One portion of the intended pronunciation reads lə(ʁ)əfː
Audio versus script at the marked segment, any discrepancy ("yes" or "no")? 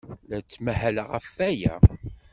no